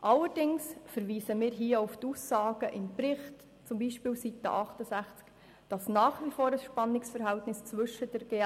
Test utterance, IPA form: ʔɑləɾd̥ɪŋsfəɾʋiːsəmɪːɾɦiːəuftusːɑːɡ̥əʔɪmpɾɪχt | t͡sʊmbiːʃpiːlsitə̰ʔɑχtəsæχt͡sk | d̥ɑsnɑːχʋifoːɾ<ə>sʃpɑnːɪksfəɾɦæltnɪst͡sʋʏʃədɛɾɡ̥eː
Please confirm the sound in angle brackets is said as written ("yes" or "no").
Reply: yes